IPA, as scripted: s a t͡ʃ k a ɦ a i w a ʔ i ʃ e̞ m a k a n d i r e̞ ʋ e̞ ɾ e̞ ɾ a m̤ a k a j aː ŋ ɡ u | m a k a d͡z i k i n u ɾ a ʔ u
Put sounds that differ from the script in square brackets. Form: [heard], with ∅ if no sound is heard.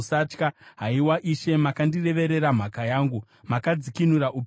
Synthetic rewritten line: s a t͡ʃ k a ɦ a i w a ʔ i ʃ e̞ m a k a n d i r e̞ ʋ e̞ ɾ e̞ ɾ a m̤ a k a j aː ŋ ɡ u | m a k a d͡z i k i n u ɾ a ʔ u